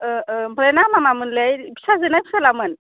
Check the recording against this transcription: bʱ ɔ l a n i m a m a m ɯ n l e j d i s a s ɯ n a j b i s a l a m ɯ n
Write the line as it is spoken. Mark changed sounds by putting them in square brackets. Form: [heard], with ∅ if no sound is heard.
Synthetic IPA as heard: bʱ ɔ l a n [a] m a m a m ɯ n l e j [b] i s a [z] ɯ n a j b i s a l a m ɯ n